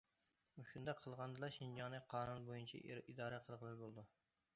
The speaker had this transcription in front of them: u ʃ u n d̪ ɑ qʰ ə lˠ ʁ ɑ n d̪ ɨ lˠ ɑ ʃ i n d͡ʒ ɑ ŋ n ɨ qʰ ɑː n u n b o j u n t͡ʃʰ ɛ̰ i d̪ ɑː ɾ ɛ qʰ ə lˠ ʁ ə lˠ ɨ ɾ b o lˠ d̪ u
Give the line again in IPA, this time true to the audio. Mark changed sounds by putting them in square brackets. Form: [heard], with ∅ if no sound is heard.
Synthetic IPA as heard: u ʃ u n d̪ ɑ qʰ ə lˠ ʁ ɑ n d̪ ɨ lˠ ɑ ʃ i n d͡ʒ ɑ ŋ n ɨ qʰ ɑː n u n b o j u n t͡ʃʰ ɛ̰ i d̪ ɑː ɾ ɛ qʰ ə lˠ ʁ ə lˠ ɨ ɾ b o lˠ d̪ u